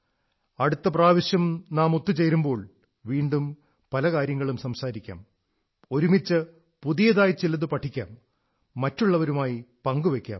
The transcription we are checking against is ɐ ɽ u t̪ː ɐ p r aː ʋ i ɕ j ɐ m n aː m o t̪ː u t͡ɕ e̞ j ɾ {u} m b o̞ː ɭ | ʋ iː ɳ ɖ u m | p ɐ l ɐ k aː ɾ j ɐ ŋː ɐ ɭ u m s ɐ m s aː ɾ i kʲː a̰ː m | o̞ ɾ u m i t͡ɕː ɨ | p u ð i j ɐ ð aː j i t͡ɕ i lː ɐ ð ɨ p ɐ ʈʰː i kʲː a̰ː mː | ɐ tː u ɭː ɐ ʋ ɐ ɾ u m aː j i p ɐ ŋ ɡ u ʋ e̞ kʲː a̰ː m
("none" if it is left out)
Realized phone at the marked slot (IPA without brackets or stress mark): u